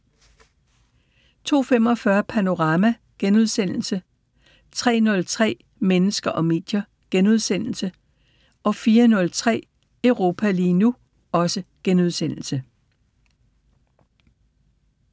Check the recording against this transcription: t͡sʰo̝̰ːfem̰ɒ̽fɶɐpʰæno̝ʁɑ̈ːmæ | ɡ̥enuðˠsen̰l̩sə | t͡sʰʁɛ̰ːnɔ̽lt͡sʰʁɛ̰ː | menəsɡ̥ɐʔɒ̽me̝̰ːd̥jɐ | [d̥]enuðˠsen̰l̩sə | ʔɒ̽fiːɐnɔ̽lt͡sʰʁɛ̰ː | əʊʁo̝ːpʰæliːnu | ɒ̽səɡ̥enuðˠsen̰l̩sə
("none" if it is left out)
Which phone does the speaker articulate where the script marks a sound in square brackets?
ɡ̥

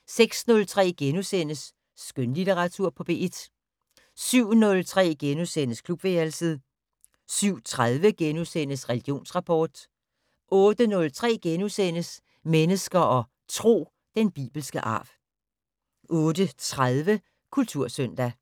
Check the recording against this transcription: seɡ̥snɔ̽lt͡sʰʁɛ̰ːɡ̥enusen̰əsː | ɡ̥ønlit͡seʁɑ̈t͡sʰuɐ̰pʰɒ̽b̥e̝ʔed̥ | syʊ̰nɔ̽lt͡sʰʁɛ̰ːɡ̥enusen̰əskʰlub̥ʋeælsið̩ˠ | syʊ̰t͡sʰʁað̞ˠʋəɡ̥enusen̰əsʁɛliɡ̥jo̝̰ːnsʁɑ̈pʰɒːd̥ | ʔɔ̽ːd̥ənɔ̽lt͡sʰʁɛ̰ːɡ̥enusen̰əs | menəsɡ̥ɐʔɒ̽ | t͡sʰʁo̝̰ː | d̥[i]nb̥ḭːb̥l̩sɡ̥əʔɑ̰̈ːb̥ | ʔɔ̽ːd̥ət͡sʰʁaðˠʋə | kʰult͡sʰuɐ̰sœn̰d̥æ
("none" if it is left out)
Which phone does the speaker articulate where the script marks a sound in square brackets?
e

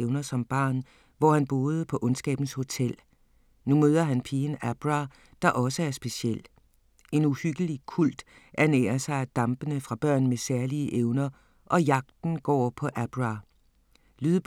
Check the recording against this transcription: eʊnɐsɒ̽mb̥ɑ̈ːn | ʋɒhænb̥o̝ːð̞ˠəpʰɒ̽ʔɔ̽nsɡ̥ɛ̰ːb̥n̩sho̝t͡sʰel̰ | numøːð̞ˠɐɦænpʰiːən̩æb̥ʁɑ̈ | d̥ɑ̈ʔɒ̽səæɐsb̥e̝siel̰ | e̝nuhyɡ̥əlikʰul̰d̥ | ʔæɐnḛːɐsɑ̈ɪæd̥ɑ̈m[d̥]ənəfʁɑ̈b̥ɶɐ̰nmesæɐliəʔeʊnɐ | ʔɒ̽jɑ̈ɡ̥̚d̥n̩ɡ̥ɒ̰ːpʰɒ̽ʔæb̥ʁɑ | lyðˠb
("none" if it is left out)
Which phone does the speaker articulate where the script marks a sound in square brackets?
b̥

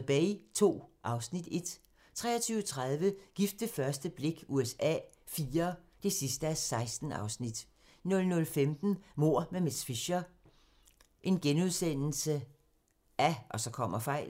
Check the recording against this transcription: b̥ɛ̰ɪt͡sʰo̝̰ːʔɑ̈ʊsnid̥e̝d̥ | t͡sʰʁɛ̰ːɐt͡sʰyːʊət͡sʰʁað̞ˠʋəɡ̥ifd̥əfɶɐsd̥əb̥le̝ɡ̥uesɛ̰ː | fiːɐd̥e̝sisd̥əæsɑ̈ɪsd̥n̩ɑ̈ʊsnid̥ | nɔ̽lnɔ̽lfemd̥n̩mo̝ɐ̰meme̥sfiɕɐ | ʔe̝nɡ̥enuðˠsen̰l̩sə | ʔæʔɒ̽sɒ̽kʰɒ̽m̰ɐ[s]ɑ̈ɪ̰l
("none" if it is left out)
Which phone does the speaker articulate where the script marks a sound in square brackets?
f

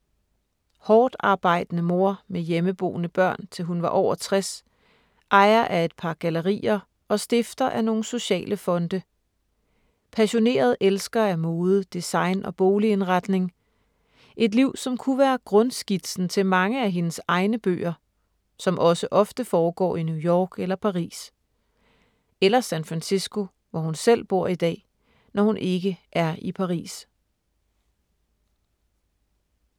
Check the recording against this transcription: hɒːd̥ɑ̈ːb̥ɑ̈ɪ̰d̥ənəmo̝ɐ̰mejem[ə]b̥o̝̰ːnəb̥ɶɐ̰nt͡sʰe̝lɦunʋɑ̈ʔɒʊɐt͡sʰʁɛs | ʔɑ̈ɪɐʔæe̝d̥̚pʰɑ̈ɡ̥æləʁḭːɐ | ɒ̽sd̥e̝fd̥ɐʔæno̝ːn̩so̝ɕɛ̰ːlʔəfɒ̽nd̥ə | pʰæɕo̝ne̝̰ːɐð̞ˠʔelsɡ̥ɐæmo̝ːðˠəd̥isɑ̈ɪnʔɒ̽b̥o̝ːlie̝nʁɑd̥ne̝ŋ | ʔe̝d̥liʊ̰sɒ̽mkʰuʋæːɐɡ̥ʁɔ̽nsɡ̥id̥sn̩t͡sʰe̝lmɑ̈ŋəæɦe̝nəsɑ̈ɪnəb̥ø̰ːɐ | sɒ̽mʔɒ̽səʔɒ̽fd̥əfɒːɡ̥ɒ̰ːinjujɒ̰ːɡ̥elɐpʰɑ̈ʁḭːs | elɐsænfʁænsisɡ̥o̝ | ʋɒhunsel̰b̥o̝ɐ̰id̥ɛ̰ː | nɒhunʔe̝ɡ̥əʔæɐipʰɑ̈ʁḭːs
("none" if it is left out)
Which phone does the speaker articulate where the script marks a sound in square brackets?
ə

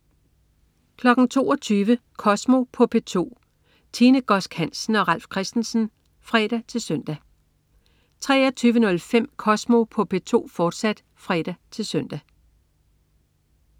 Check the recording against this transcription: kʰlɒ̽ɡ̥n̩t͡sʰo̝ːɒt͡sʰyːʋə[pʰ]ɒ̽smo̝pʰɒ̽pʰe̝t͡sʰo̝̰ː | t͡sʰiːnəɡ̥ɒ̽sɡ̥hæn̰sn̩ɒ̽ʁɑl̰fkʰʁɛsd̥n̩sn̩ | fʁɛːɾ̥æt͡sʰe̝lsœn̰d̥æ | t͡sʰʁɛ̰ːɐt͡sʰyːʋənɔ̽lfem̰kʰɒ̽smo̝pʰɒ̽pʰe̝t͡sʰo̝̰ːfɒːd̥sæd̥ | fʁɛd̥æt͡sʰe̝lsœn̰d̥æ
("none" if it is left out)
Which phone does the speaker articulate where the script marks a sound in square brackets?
kʰ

